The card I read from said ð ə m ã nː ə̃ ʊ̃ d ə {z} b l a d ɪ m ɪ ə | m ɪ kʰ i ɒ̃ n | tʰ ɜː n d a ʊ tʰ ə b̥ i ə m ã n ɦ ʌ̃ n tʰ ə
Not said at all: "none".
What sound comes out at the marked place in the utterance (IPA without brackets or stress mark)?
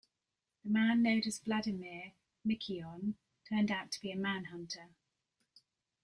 z